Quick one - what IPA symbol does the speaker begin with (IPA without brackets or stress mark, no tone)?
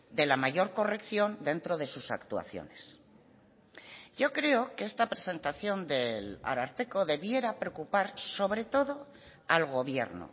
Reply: d̪